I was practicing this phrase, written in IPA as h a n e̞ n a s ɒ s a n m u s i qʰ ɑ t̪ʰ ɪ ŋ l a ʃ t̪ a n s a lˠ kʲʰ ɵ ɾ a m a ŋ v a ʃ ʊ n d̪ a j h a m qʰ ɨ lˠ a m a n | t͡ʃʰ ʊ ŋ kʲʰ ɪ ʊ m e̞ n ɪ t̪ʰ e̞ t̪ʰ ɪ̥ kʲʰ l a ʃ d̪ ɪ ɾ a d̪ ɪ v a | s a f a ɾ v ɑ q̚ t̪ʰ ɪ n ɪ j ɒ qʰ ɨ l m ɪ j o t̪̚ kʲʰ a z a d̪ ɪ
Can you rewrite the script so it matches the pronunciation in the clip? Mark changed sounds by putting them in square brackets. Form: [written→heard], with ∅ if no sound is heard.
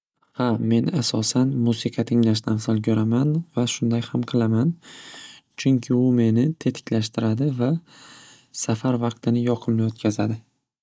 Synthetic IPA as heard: h a [n→m] e̞ n a s ɒ s a n m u s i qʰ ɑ t̪ʰ ɪ ŋ l a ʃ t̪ a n s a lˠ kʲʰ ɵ ɾ a m a [ŋ→n] v a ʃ ʊ n d̪ a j h a m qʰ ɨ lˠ a m a n | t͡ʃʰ ʊ ŋ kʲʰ ɪ ʊ m e̞ n ɪ t̪ʰ e̞ t̪ʰ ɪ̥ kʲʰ l a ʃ [d̪→t̪] ɪ ɾ a d̪ ɪ v a | s a f a ɾ v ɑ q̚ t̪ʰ ɪ n ɪ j ɒ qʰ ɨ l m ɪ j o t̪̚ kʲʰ a z a d̪ ɪ